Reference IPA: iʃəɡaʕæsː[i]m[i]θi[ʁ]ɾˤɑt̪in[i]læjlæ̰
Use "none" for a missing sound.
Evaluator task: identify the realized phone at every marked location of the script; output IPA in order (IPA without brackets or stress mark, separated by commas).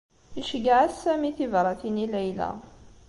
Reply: æ, i, v, i